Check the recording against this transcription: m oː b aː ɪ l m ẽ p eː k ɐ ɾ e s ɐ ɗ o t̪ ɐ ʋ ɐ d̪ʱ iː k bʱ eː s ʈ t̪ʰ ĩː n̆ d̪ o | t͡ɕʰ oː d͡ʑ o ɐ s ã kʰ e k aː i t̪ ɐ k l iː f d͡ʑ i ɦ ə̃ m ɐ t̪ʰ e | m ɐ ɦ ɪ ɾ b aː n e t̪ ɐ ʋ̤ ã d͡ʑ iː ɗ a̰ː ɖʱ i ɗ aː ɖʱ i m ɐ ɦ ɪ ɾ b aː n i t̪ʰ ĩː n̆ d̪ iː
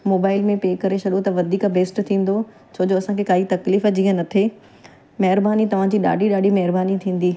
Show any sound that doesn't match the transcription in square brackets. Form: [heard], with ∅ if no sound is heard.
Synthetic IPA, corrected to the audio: m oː b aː ɪ l m ẽ p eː k ɐ ɾ e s ɐ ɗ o t̪ ɐ ʋ ɐ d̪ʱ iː k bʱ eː s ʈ t̪ʰ ĩː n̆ d̪ o | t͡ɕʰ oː d͡ʑ o ɐ s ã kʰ e k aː i t̪ ɐ k l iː f d͡ʑ i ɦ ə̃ [n] ɐ t̪ʰ e | m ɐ ɦ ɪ ɾ b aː n [i] t̪ ɐ ʋ̤ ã d͡ʑ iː ɗ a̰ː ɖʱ i ɗ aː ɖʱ i m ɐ ɦ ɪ ɾ b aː n i t̪ʰ ĩː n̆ d̪ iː